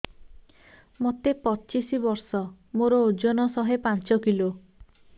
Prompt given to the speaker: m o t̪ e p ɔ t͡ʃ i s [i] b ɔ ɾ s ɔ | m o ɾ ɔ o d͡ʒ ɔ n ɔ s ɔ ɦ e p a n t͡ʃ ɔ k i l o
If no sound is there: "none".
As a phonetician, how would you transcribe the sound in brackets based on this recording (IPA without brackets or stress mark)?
i